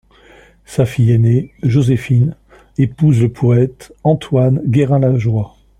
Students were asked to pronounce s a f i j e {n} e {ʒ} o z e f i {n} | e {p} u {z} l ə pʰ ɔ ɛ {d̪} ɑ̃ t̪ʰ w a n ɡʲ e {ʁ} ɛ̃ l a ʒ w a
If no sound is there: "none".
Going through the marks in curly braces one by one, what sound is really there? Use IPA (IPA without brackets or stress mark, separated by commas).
n, ʒ, n, p, z, t̪, ʁ